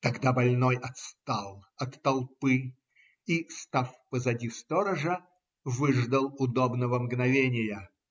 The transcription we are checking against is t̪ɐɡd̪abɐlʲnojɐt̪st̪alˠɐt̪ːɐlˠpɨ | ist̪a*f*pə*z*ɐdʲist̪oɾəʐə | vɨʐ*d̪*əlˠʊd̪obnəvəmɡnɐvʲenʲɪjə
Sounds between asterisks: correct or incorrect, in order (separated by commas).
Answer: correct, correct, correct